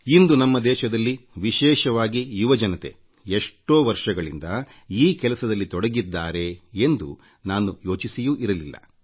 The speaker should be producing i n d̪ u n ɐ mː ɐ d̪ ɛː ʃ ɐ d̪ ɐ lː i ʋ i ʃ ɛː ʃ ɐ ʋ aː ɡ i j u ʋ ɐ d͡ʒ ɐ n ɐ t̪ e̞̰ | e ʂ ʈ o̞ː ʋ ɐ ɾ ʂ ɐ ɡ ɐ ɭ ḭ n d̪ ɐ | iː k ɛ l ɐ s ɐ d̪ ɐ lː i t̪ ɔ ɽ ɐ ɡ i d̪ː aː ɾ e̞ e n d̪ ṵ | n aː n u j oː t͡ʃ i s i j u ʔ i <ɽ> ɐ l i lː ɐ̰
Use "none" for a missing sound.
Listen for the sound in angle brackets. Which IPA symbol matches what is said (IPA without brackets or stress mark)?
ɾ